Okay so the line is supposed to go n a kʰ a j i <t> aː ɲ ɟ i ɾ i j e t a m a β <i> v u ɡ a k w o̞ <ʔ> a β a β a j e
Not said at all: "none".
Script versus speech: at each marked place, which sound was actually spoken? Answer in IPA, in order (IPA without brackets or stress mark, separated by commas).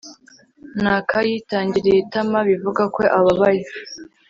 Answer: t, i, ʔ